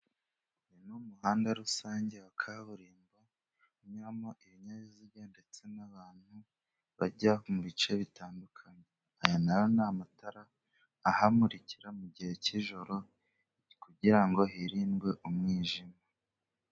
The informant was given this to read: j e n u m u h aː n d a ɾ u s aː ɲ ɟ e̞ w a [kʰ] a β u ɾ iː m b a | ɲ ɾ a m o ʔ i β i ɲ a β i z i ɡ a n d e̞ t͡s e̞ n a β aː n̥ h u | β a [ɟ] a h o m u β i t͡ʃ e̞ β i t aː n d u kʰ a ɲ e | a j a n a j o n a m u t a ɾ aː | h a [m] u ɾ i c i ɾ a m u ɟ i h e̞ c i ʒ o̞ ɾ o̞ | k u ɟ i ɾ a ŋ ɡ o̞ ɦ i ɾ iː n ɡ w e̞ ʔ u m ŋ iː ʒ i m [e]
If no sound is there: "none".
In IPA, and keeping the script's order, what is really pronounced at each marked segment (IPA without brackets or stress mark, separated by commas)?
kʰ, ɟ, m, a